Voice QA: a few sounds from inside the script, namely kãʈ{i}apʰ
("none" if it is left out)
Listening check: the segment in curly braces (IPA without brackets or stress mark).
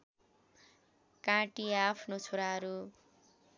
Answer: i